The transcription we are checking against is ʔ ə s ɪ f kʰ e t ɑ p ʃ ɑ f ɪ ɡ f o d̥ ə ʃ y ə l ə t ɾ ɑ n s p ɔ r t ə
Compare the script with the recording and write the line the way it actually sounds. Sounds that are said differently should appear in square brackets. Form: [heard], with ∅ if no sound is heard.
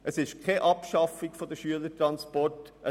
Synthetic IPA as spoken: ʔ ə s ɪ [ʃ] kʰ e [ʔ] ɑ p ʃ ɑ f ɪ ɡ f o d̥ ə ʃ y ə l ə t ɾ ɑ n s p ɔ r t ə